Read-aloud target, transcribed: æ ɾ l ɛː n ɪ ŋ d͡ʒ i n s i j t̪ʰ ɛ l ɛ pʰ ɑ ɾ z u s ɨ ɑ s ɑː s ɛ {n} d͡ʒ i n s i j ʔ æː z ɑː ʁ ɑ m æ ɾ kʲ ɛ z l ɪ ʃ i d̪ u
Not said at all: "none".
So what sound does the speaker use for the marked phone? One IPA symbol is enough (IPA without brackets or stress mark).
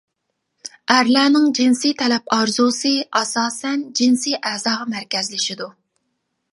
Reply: n